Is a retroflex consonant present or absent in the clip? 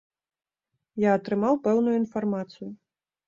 absent